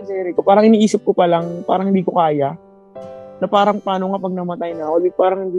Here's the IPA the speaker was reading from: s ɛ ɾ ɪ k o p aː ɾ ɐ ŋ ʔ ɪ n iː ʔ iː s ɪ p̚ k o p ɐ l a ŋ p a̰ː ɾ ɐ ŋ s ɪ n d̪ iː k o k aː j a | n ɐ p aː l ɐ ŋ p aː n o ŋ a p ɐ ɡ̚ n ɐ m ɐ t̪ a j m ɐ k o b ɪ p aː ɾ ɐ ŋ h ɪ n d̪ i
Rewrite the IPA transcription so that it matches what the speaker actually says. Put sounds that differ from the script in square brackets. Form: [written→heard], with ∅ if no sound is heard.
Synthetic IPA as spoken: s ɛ ɾ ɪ k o p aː ɾ ɐ ŋ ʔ ɪ n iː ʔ iː s ɪ p̚ k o p ɐ l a ŋ p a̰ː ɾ ɐ ŋ [s→h] ɪ n d̪ iː k o k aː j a | n ɐ p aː [l→ɾ] ɐ ŋ p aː n o ŋ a p ɐ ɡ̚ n ɐ m ɐ t̪ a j [m→n] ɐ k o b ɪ p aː ɾ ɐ ŋ h ɪ n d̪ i